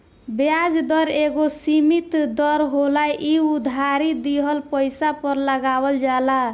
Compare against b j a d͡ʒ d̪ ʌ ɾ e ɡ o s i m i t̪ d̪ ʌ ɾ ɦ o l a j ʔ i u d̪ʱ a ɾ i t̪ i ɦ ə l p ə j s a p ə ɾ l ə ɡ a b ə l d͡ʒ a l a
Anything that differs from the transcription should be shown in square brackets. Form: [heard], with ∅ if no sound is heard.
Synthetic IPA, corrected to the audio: b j a d͡ʒ d̪ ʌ ɾ e ɡ o s i m i t̪ d̪ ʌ ɾ ɦ o l a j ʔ i u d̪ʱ a ɾ i [d̪] i ɦ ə l p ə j s a p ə ɾ l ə ɡ a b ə l d͡ʒ a l a